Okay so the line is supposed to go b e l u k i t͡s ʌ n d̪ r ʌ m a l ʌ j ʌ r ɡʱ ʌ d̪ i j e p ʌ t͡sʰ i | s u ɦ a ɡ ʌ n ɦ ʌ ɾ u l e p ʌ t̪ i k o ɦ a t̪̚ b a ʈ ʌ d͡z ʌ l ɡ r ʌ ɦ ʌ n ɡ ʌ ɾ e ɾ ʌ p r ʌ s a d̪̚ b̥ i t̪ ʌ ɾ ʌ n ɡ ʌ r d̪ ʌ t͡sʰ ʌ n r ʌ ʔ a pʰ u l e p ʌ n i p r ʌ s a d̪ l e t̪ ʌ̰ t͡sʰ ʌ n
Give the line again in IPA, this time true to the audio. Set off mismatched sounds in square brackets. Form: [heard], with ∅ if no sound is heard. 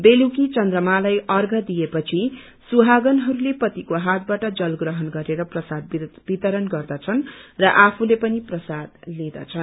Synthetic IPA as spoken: b e l u k i t͡s ʌ n d̪ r ʌ m a l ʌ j ʌ r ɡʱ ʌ d̪ i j e p ʌ t͡sʰ i | s u ɦ a ɡ ʌ n ɦ ʌ ɾ u l e p ʌ t̪ i k o ɦ a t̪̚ b a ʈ ʌ d͡z ʌ l ɡ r ʌ ɦ ʌ n ɡ ʌ ɾ e ɾ ʌ p r ʌ s a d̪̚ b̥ i t̪ ʌ ɾ ʌ n ɡ ʌ r d̪ ʌ t͡sʰ ʌ n r ʌ ʔ a pʰ u l e p ʌ n i p r ʌ s a d̪ l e [d̪] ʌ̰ t͡sʰ ʌ n